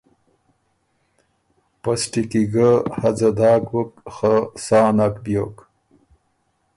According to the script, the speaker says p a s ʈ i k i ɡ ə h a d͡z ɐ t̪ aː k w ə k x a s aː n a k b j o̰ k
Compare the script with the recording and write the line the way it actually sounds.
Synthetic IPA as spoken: p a s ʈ i k i ɡ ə h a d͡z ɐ d̪ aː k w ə k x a s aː n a k b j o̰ k